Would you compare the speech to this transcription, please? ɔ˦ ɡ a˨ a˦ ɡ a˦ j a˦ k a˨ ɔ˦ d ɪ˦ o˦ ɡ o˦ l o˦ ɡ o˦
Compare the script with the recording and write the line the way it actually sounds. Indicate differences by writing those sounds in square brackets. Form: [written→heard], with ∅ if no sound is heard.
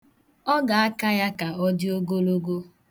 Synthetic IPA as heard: ɔ˦ ɡ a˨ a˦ [ɡ→k] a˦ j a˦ k a˨ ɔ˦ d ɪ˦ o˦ ɡ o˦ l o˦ ɡ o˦